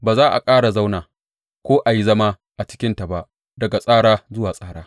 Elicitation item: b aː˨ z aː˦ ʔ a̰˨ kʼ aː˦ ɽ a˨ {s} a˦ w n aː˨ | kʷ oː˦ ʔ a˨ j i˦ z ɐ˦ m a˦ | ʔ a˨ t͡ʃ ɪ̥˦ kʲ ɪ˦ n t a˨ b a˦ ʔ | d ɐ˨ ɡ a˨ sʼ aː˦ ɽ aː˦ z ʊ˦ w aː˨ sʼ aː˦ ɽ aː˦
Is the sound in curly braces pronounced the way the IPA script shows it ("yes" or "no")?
no